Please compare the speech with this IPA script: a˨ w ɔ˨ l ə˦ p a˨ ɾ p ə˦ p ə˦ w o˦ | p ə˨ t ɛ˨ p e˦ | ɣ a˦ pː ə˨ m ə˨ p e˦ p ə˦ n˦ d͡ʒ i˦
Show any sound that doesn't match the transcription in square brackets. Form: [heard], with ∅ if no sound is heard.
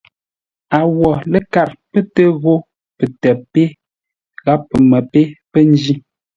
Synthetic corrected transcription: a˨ w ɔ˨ l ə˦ [k] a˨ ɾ p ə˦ [t] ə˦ [ɣ] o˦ | p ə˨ t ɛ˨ p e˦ | ɣ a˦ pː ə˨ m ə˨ p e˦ p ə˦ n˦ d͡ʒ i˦